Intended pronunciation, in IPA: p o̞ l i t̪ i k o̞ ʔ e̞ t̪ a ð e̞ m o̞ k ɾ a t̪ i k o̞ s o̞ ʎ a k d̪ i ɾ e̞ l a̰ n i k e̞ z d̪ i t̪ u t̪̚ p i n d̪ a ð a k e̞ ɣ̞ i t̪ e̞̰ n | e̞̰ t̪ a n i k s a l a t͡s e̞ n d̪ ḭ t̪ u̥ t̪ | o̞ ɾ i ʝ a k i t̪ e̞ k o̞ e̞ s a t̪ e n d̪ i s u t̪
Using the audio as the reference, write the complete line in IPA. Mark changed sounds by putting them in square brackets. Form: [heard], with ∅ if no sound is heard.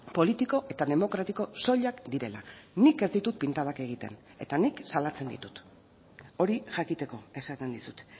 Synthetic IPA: p o̞ l i t̪ i k o̞ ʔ e̞ t̪ a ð e̞ m o̞ k ɾ a t̪ i k o̞ s o̞ ʎ a k d̪ i ɾ e̞ l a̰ n i k e̞ z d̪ i t̪ u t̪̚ p i n [t̪] a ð a k e̞ ɣ̞ i t̪ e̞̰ n | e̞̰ t̪ a n i k s a l a t͡s e̞ n d̪ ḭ t̪ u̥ t̪ | o̞ ɾ i ʝ a k i t̪ e̞ k o̞ e̞ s a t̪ e n d̪ i s u t̪